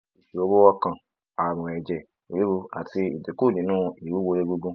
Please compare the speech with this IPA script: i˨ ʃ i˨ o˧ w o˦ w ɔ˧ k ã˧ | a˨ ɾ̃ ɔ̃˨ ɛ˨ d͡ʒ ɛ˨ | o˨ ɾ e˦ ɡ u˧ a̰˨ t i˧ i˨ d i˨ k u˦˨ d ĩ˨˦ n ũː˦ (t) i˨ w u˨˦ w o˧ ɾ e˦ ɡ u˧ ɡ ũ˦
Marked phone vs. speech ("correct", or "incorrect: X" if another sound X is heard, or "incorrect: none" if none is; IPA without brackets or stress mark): incorrect: none